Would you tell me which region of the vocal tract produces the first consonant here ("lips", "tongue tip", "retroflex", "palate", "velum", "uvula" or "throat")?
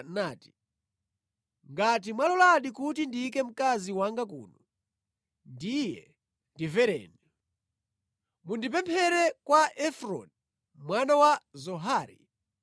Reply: tongue tip